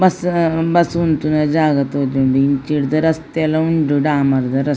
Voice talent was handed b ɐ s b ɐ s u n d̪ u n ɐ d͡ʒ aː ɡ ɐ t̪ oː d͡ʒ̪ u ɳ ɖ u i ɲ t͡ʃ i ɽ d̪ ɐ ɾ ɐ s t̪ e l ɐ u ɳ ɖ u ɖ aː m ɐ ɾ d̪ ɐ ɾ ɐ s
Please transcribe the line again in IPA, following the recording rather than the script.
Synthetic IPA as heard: b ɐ s b ɐ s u n t̪ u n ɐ d͡ʒ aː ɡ ɐ t̪ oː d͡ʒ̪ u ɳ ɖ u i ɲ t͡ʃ i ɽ d̪ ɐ ɾ ɐ s t̪ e l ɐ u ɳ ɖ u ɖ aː m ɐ ɾ d̪ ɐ ɾ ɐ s